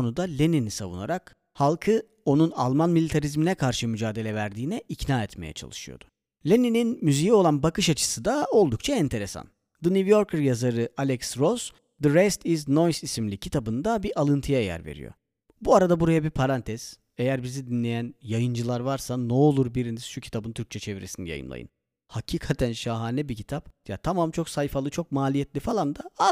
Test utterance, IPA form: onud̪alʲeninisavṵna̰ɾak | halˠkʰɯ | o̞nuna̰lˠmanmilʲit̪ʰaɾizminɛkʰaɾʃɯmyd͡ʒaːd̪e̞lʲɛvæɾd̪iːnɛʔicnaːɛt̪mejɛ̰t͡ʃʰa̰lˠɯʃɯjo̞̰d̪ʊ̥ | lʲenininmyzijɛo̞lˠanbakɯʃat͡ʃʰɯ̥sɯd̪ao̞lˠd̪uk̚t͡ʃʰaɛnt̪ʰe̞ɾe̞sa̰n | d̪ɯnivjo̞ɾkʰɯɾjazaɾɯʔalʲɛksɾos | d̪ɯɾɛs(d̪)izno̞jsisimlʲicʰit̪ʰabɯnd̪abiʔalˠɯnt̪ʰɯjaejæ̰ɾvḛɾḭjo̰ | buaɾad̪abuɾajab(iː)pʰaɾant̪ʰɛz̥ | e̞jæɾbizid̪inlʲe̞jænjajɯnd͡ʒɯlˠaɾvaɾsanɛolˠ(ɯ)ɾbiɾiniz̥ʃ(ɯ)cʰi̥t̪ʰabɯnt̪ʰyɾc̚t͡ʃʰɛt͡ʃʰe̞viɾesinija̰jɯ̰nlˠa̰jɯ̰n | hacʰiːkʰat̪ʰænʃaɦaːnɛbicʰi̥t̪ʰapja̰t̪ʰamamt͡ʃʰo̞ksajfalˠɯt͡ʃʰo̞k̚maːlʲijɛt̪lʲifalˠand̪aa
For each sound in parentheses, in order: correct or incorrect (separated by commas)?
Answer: incorrect, incorrect, incorrect, incorrect